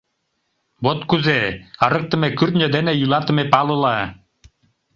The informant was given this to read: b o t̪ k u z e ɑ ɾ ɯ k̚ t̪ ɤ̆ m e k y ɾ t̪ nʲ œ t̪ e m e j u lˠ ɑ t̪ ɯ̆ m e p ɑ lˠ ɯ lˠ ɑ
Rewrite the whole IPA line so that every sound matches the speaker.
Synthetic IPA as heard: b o t̪ k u z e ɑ ɾ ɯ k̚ t̪ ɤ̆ m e k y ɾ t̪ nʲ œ d̪ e n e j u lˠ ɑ t̪ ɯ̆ m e p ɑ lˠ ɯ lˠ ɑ